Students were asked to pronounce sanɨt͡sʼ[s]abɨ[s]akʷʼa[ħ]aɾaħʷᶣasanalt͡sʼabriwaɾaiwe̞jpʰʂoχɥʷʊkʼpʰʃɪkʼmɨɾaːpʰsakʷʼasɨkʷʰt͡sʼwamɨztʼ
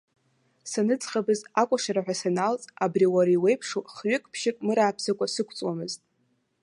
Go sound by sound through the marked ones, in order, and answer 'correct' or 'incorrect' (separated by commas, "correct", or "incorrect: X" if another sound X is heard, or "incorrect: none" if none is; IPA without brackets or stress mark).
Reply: incorrect: χ, incorrect: z, incorrect: ʂ